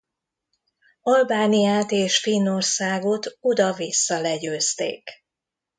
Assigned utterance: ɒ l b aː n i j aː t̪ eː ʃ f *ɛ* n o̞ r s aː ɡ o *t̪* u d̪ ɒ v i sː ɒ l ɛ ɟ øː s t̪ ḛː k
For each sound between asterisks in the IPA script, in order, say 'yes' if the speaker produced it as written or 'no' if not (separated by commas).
no, yes